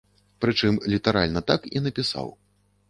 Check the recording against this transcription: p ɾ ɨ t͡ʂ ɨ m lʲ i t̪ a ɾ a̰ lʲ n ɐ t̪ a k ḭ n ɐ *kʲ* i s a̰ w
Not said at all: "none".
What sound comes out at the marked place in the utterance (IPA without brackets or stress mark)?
pʲ